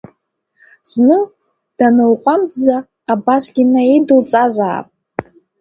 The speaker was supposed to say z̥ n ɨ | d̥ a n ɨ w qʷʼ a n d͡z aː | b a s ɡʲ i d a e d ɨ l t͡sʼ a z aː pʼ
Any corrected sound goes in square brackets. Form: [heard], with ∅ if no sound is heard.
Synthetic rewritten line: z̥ n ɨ | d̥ a n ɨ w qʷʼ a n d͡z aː | b a s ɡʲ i [n] a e d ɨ l t͡sʼ a z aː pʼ